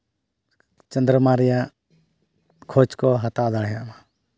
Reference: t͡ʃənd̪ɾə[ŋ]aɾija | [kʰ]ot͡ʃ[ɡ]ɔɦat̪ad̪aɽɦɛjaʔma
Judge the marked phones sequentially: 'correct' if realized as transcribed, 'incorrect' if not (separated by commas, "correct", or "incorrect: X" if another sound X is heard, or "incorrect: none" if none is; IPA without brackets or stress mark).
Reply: incorrect: m, correct, incorrect: k